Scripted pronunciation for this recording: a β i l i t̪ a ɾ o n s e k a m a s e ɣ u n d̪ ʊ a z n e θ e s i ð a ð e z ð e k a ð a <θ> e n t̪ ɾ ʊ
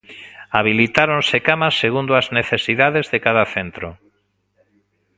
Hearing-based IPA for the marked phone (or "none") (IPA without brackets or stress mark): θ